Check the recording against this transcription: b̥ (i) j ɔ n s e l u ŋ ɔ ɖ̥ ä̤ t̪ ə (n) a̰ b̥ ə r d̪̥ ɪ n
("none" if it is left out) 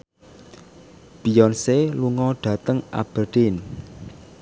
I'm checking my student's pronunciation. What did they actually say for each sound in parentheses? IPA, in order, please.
i, ŋ

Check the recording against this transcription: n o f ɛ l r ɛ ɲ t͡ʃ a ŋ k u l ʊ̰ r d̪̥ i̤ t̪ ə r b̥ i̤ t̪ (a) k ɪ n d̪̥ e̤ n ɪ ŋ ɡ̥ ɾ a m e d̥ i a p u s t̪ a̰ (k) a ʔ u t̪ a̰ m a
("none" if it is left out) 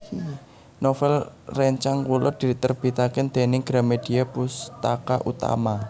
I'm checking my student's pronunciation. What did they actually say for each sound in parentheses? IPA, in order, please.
a, k

